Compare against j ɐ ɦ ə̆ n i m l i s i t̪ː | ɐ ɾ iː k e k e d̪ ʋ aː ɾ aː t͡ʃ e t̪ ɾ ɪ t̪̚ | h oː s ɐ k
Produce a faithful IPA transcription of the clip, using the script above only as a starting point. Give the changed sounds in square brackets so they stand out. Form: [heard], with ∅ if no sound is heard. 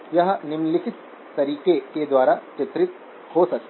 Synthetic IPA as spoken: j ɐ ɦ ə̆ n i m l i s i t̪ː | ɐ ɾ iː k e k e d̪ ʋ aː ɾ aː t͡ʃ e t̪ ɾ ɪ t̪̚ | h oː s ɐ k